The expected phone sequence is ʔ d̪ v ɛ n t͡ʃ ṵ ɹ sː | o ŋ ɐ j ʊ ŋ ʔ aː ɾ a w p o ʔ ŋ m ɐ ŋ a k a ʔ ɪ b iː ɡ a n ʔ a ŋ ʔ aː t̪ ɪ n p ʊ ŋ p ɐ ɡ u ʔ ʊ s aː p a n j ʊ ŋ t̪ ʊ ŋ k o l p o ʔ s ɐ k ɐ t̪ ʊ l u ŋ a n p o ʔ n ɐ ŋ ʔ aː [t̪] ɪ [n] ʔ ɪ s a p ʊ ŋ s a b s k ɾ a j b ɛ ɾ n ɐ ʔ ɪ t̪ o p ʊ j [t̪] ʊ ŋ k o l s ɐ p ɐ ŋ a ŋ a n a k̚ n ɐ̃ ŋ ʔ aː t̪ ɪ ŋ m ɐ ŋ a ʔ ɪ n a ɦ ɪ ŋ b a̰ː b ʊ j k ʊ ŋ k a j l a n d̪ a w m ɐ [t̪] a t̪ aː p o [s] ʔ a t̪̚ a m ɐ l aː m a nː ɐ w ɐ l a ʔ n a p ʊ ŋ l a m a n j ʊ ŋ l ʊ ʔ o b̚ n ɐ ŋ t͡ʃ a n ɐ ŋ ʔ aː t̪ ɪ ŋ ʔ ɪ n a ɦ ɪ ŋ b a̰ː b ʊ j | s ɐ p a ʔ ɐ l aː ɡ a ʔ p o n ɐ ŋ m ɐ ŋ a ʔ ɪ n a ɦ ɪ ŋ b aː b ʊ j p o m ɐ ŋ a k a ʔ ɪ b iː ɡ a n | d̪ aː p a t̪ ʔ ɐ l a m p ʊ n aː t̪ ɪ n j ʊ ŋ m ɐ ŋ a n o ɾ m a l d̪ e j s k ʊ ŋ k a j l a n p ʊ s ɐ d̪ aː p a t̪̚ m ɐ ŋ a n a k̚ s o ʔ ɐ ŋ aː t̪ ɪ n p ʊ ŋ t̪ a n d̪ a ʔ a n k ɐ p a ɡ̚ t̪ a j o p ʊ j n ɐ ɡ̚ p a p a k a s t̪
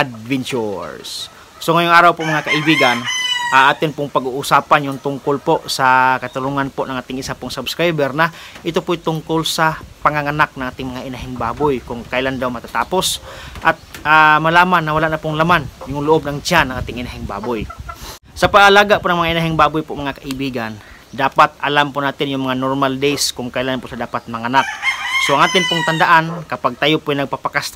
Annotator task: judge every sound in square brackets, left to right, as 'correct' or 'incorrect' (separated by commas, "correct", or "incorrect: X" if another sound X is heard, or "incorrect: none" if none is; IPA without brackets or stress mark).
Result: correct, incorrect: ŋ, correct, correct, correct